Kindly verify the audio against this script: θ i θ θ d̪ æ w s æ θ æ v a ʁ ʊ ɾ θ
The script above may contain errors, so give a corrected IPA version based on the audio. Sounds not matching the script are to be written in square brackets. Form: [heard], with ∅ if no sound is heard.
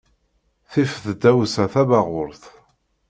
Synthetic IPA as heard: θ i [f] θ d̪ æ w s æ θ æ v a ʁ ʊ ɾ θ